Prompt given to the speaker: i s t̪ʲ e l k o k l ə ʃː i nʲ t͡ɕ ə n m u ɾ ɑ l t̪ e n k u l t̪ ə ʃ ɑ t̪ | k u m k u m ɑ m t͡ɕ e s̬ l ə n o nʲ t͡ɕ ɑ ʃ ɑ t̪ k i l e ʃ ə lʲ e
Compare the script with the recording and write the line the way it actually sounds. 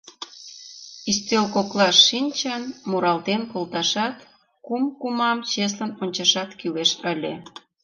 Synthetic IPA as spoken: i s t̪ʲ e l k o k l ɑ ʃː i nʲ t͡ɕ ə n m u ɾ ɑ l t̪ e n k o l t̪ ɑ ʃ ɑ t̪ | k u m k u m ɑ m t͡ɕ e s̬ l ə n o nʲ t͡ɕ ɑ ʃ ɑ t̪ k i l e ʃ ə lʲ e

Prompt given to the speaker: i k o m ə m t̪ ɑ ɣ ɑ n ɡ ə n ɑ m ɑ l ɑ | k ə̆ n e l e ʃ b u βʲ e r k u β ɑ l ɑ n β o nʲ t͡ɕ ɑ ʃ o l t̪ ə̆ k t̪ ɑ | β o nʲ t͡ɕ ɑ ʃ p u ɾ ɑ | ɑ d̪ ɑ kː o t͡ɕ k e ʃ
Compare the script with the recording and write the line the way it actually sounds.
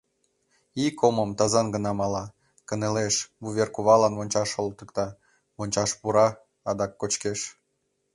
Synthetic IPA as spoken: i k o m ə m t̪ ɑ z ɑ n ɡ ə n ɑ m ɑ l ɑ | k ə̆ n e l e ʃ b u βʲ e r k u β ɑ l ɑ n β o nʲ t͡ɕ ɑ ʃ o l t̪ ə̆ k t̪ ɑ | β o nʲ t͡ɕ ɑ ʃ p u ɾ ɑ | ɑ d̪ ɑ kː o t͡ɕ k e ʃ

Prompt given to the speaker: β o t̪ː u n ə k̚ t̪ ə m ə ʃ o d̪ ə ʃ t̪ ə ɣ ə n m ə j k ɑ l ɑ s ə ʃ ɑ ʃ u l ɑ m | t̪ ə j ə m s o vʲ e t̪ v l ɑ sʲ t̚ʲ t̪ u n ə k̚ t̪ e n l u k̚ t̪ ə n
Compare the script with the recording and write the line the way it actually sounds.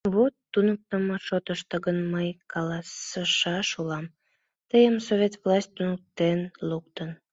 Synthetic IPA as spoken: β o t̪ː u n ə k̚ t̪ ə m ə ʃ o t̪ ə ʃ t̪ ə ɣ ə n m ə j k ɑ l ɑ s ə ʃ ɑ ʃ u l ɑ m | t̪ ə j ə m s o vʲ e t̪ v l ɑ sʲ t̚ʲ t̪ u n ə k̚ t̪ e n l u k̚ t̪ ə n

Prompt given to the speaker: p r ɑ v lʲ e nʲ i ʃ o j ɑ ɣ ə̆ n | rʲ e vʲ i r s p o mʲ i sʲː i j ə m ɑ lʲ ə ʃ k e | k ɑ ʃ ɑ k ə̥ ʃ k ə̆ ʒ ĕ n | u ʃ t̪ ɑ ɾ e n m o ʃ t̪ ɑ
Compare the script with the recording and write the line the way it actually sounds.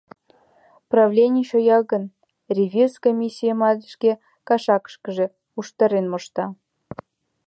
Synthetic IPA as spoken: p r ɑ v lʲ e nʲ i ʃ o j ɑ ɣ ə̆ n | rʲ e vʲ i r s k o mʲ i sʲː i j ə m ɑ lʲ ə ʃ k e | k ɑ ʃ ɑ k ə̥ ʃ k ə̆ ʒ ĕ | u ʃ t̪ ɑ ɾ e n m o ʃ t̪ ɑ

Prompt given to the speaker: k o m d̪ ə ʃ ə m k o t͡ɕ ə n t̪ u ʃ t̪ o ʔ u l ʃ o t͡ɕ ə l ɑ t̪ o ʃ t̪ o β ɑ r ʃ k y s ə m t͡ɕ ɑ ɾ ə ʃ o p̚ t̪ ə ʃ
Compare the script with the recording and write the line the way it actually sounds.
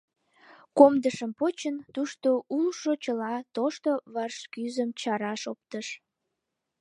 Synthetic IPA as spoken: k o m d̪ ə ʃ ə m p o t͡ɕ ə n t̪ u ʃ t̪ o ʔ u l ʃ o t͡ɕ ə l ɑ t̪ o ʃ t̪ o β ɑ r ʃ k y z ə m t͡ɕ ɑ ɾ ɑ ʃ o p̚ t̪ ə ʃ

